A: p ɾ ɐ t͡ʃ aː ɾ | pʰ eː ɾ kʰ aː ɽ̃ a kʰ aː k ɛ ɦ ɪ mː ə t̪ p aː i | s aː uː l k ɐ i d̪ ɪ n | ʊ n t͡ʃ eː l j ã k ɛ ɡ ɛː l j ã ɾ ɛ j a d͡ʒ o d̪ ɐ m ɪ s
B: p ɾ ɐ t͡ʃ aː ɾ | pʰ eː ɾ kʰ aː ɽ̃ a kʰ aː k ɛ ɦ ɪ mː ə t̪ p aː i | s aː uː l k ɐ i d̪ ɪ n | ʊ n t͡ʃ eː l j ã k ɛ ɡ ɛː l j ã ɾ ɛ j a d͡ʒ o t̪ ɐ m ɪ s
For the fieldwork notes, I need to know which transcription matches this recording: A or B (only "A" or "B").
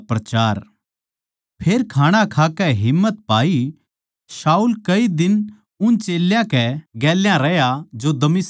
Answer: A